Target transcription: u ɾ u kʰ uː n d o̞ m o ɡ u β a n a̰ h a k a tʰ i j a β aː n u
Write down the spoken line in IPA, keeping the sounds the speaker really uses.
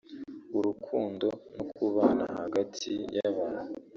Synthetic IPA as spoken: u ɾ u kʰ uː n d o̞ n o k u β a n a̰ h a ɡ a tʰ i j a β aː n u